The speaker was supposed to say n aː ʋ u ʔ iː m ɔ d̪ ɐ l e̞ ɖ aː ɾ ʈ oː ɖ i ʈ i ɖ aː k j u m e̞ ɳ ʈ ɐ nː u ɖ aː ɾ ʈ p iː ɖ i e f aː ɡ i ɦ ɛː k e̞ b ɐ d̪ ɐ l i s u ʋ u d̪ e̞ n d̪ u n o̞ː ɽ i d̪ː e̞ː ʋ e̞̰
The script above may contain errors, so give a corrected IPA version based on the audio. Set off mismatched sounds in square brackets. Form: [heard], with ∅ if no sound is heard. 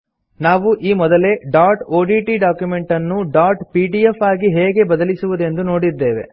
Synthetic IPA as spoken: n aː ʋ u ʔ iː m ɔ d̪ ɐ l e̞ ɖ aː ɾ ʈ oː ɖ i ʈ i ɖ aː k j u m e̞ ɳ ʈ ɐ nː u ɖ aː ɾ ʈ p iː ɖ i e f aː ɡ i ɦ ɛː [ɡ] e̞ b ɐ d̪ ɐ l i s u ʋ u d̪ e̞ n d̪ u n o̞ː ɽ i d̪ː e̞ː ʋ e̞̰